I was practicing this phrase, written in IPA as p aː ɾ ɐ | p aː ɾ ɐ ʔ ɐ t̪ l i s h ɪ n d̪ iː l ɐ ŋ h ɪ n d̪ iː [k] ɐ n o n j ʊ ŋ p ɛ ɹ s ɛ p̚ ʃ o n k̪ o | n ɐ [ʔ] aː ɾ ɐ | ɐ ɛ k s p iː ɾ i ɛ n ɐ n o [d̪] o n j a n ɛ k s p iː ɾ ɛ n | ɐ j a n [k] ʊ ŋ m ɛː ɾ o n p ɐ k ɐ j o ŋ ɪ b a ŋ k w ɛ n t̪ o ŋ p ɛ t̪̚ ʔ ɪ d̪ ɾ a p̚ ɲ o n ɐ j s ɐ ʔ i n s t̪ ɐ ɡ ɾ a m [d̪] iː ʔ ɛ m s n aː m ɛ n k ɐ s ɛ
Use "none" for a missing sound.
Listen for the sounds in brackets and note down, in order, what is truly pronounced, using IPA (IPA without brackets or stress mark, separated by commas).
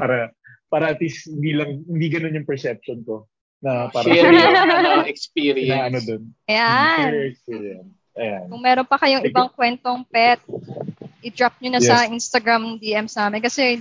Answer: ɡ, p, d̪, k, d̪